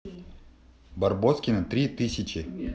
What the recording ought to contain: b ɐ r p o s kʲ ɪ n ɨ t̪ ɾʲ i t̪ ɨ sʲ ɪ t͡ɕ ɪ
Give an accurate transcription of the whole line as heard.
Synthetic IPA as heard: b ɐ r b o s kʲ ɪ n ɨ t̪ ɾʲ i t̪ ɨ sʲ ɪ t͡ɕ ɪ